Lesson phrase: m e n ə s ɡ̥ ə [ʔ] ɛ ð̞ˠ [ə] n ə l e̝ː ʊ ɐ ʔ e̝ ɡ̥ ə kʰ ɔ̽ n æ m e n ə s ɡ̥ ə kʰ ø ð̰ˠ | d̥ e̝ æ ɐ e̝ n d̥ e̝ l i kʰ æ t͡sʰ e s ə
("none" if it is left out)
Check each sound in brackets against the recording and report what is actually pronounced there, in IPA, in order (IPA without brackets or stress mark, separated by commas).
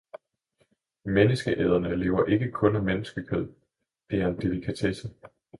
ʔ, ɐ